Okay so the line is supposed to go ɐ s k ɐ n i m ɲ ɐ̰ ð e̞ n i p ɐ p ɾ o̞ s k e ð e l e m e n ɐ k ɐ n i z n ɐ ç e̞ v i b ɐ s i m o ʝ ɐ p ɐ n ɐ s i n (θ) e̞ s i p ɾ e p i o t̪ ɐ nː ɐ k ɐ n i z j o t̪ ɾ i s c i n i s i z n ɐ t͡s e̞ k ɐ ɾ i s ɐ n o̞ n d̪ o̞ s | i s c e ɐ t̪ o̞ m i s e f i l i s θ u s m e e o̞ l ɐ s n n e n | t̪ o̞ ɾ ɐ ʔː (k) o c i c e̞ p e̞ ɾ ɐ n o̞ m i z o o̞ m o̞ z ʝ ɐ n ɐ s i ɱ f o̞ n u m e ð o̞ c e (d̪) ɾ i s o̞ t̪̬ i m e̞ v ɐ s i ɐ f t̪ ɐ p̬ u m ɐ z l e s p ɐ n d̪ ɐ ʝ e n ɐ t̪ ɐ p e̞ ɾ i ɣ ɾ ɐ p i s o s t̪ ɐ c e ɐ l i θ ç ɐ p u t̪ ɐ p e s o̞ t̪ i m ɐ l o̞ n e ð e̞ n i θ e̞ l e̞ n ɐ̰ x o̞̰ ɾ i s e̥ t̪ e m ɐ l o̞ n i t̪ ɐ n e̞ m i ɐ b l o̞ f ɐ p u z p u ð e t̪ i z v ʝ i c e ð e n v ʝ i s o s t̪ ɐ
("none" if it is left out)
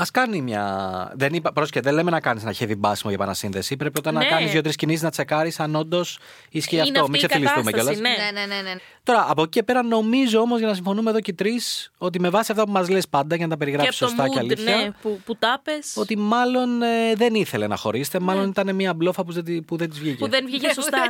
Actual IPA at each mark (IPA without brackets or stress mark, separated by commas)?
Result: ð, p, t̪